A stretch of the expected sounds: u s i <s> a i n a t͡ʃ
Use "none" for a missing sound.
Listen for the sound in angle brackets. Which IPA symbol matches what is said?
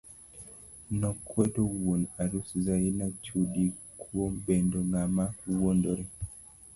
z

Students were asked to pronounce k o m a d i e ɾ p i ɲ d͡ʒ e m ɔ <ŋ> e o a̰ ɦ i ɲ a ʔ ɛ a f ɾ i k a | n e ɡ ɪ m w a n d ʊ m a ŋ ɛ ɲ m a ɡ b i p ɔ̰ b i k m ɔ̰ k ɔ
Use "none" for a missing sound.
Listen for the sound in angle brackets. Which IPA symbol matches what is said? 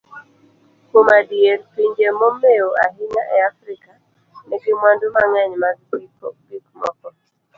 m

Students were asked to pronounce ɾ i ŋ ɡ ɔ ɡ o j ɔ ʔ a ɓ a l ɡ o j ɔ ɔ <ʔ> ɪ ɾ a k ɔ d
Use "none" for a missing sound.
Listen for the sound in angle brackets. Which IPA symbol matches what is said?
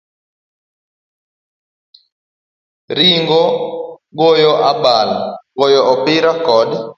p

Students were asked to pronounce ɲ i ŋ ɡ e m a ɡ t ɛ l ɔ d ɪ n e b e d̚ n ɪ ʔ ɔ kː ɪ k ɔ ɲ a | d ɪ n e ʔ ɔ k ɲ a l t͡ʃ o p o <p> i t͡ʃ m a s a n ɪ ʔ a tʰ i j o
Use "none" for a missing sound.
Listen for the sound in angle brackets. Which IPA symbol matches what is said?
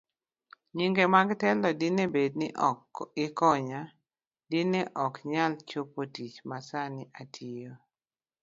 t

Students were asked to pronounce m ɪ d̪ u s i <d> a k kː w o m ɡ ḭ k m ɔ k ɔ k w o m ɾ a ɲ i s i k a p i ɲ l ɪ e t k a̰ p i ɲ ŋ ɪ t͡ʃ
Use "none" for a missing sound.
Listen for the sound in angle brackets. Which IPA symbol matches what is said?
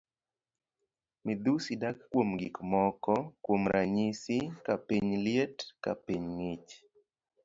d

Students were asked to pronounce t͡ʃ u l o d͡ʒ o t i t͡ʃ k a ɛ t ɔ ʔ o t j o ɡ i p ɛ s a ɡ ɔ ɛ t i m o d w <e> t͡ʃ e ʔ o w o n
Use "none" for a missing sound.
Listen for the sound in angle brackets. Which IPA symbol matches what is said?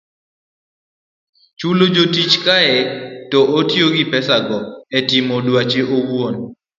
a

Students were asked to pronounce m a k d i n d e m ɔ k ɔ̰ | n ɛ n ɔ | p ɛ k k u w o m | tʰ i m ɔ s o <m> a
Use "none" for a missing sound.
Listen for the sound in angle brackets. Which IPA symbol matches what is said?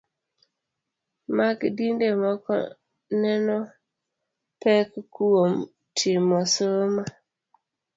m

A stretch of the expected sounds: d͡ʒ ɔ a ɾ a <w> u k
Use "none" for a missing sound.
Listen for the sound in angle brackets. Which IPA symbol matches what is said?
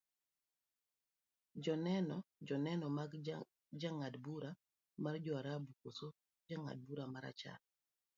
b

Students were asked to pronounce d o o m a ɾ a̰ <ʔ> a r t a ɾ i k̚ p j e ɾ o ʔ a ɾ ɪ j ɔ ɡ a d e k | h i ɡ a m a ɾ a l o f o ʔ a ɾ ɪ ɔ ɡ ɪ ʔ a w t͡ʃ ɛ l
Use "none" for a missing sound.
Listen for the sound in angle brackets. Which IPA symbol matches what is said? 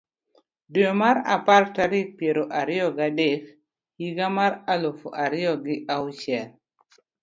p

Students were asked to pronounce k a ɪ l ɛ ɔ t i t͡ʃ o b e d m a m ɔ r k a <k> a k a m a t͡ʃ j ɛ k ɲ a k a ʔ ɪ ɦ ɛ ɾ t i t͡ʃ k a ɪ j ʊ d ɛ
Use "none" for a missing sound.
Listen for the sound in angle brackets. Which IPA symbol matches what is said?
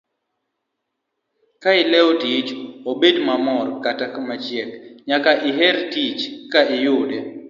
t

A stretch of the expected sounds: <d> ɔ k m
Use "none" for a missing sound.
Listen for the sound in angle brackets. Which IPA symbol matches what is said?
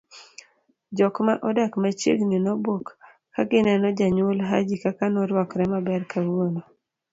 d͡ʒ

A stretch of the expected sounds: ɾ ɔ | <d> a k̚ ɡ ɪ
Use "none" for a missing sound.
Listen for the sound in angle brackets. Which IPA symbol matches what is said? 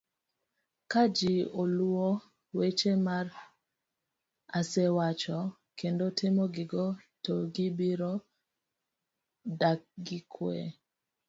d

